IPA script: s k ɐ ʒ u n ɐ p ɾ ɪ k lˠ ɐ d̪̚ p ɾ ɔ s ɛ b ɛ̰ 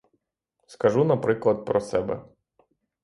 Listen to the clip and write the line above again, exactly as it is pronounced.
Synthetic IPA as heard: s k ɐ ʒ u n ɐ p ɾ ɪ k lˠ ɐ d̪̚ p ɾ ɔ s ɛ b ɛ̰